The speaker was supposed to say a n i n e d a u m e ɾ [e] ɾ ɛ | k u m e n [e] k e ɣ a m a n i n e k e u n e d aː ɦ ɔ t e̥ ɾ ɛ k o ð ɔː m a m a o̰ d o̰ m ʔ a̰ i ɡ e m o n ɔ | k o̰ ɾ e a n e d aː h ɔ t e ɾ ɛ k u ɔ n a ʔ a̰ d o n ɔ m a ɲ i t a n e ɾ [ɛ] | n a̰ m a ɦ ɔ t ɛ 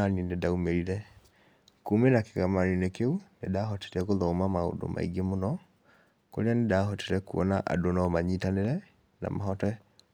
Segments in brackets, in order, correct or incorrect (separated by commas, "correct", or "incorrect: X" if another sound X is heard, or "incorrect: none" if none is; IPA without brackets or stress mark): incorrect: i, incorrect: a, correct